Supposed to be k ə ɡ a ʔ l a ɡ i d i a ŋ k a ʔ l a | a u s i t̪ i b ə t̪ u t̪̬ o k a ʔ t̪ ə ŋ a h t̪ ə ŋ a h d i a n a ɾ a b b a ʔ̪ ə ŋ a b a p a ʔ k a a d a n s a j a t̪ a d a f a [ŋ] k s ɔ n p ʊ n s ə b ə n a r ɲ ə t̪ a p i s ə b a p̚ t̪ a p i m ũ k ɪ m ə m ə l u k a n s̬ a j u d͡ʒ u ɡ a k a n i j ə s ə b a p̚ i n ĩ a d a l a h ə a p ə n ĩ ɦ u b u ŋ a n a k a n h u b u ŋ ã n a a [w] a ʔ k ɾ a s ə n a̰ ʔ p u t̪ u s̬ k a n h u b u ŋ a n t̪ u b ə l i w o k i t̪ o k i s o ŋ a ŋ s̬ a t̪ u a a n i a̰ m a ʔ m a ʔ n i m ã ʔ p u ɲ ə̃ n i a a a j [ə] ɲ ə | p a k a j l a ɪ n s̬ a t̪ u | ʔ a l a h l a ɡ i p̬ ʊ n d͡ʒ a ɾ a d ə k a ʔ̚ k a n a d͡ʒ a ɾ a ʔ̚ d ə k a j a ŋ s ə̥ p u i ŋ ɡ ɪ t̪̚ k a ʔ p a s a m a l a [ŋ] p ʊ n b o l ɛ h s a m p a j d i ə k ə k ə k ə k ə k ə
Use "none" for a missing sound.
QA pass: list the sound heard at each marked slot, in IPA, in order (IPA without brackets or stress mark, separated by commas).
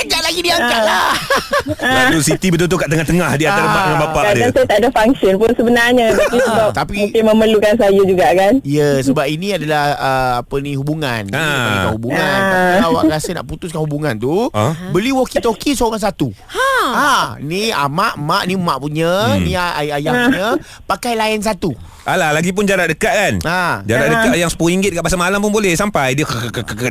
ŋ, w, a, m